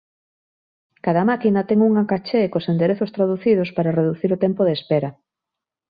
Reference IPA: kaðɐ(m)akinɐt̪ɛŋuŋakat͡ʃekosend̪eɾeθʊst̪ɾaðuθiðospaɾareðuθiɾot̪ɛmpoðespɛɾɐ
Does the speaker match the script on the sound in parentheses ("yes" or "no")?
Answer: yes